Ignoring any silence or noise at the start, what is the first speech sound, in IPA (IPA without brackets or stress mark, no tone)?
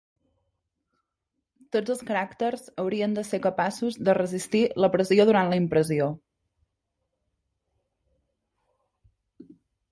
t̪